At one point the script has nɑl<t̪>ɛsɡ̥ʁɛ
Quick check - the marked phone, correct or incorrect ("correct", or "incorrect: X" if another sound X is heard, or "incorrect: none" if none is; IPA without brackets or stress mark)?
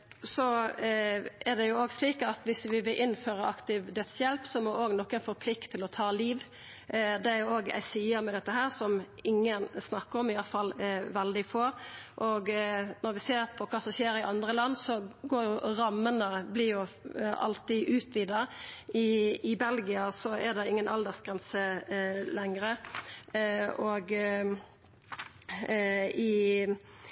incorrect: d̪